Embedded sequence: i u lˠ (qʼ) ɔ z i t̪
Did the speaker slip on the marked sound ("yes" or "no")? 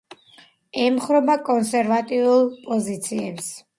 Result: yes